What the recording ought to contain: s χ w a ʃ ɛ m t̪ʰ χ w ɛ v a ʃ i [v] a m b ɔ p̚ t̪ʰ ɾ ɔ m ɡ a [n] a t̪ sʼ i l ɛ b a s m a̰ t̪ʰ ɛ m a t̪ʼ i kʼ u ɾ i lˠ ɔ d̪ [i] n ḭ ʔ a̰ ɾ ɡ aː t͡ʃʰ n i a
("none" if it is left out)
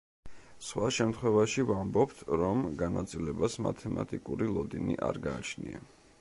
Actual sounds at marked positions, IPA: v, n, i

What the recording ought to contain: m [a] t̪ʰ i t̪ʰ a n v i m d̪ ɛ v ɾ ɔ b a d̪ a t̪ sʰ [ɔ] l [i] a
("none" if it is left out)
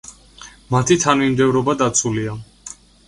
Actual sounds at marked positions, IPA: a, u, i

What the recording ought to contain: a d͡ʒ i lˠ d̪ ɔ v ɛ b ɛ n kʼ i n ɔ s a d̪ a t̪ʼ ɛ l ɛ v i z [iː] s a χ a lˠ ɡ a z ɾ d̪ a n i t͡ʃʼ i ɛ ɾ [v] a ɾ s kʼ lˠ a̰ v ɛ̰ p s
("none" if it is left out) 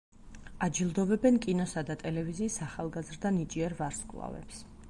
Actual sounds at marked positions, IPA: iː, v

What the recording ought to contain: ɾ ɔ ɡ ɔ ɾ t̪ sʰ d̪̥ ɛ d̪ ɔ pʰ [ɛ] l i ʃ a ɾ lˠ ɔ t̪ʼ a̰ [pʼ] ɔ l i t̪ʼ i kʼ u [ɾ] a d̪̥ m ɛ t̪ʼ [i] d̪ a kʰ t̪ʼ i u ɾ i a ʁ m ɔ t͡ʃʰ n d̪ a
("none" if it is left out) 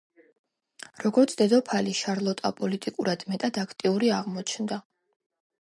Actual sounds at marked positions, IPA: a, pʼ, ɾ, a

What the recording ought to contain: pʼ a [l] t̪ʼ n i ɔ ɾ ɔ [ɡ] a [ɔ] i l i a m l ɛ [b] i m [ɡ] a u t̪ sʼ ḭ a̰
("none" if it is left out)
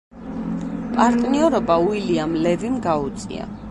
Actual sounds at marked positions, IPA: ɾ, b, u, v, ɡ

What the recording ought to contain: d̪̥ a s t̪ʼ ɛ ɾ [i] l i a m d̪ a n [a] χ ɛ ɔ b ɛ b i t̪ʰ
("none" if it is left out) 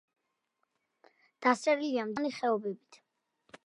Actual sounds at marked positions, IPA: i, i

